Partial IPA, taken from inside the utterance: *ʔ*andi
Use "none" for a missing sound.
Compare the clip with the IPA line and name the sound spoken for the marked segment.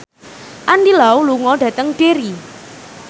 ʔ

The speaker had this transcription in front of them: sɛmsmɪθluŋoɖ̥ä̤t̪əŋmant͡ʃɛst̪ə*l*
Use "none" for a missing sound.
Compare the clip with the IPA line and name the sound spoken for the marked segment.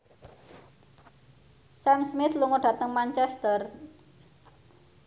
r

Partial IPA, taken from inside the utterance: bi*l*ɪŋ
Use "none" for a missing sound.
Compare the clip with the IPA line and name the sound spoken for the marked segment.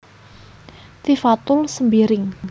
ɾ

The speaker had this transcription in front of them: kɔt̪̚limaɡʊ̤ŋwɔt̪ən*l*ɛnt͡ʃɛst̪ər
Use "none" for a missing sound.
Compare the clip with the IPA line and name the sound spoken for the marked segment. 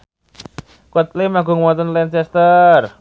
l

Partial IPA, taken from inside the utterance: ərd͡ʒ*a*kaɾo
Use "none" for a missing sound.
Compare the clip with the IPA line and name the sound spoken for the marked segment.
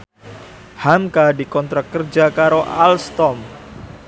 a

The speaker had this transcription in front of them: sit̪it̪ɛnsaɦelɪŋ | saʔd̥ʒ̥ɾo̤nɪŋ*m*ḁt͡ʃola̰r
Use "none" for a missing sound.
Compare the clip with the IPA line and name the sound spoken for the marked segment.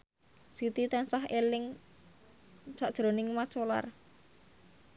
m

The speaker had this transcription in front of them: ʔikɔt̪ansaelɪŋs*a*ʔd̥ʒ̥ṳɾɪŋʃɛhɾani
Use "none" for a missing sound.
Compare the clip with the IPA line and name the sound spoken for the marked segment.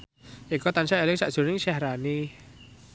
a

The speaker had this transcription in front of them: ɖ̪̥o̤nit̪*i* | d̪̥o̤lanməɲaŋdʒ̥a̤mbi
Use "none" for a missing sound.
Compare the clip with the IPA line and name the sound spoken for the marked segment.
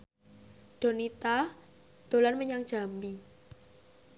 a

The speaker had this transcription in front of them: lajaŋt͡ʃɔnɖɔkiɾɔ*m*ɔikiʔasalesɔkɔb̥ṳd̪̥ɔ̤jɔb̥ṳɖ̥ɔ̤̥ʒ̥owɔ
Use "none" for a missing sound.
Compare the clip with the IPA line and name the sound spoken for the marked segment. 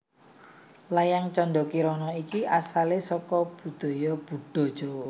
n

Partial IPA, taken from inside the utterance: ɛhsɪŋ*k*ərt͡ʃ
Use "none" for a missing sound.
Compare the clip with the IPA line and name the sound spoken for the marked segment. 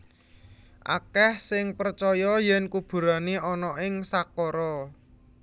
p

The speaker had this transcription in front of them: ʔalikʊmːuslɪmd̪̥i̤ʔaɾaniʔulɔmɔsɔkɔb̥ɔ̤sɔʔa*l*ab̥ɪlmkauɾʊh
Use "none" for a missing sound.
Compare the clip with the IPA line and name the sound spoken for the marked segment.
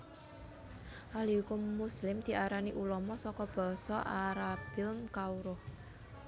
ɾ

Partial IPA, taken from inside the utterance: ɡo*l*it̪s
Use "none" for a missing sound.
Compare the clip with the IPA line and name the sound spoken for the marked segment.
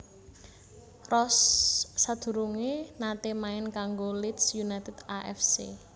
l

